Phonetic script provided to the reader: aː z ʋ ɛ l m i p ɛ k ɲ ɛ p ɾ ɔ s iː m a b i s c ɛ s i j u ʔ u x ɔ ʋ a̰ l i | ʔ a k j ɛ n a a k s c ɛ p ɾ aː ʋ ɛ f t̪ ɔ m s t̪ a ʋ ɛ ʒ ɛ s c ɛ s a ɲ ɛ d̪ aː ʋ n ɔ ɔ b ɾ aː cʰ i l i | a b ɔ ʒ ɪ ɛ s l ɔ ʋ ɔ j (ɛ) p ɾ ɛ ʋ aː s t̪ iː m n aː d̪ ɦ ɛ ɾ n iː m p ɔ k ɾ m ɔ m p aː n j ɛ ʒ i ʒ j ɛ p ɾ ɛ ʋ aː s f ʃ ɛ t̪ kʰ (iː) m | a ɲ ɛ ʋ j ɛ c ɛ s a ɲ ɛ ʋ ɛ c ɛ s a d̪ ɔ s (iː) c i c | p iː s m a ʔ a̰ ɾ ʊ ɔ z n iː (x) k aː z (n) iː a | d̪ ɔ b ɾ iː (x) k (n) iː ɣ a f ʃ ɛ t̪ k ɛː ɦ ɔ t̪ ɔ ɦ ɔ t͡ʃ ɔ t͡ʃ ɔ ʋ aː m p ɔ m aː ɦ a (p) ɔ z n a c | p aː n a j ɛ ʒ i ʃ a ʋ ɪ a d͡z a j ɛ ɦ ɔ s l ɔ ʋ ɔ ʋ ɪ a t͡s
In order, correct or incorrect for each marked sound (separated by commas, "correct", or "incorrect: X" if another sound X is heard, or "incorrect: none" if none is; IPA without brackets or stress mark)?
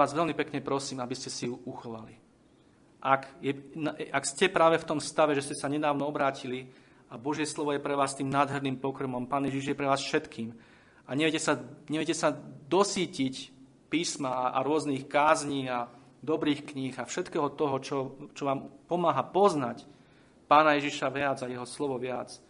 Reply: correct, correct, correct, correct, incorrect: ɲ, correct, incorrect: ɲ, correct